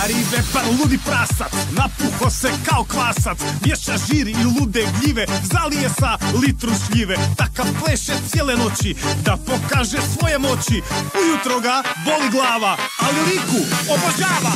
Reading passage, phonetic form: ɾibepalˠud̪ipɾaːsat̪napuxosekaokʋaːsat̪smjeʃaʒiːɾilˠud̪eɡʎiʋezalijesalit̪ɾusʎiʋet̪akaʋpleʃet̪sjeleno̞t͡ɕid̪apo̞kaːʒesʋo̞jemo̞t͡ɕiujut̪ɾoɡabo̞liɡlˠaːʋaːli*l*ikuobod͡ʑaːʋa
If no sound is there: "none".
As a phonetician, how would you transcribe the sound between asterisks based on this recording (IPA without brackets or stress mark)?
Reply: l